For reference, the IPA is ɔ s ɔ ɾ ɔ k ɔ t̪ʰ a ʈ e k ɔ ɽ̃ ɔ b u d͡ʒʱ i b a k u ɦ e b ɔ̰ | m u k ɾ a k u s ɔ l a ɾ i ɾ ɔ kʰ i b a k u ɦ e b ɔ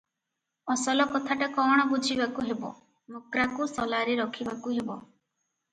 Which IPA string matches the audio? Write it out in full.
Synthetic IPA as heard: ɔ s ɔ l ɔ k ɔ t̪ʰ a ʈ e k ɔ ɽ̃ ɔ b u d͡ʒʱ i b a k u ɦ e b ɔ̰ | m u k ɾ a k u s ɔ l a ɾ i ɾ ɔ kʰ i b a k u ɦ e b ɔ